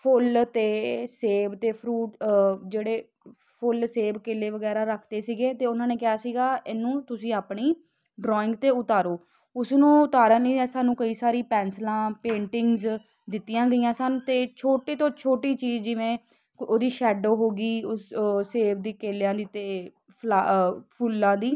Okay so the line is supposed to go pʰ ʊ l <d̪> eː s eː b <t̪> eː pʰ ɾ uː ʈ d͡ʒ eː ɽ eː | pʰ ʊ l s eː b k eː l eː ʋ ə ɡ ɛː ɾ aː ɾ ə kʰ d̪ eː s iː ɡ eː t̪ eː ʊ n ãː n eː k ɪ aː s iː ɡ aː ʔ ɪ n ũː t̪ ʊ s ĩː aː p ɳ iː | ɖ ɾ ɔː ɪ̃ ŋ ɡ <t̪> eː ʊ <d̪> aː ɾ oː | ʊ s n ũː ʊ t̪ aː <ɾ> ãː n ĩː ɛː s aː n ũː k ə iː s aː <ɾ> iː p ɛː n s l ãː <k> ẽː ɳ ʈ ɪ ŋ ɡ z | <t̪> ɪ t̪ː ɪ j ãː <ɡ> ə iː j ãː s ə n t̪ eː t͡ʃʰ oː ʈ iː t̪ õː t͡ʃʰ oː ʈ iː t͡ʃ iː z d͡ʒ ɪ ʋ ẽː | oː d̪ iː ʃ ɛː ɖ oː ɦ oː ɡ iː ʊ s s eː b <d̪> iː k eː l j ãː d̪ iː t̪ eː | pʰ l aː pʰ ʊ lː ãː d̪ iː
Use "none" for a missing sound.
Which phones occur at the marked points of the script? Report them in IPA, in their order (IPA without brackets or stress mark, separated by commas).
t̪, t̪, t̪, t̪, ɾ, ɾ, p, d̪, ɡ, d̪